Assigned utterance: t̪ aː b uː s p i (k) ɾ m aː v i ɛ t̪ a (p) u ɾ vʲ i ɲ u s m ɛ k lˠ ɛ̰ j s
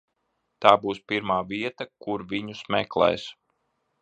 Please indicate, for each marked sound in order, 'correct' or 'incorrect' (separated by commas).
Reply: incorrect, incorrect